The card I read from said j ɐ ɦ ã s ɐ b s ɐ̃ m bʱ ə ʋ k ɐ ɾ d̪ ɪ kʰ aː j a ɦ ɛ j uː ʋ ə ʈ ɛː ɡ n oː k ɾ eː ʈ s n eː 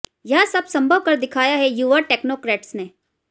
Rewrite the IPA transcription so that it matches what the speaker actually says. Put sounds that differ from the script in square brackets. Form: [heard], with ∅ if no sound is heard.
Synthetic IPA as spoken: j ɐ ɦ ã s ɐ b s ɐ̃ m bʱ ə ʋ k ɐ ɾ d̪ ɪ kʰ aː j a ɦ ɛ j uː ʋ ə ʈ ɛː [k] n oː k ɾ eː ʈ s n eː